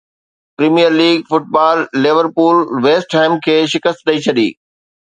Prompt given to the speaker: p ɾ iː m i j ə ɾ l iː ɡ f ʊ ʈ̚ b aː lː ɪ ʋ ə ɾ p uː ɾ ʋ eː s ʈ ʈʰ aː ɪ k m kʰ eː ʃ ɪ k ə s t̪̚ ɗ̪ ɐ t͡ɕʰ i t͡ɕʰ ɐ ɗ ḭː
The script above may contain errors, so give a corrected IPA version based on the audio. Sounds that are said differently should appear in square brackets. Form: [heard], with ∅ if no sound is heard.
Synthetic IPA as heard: p ɾ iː m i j ə ɾ l iː ɡ f ʊ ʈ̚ b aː lː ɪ ʋ ə ɾ p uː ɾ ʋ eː s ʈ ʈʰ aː ɪ [∅] m kʰ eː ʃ ɪ k ə s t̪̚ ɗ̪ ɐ [∅] i t͡ɕʰ ɐ ɗ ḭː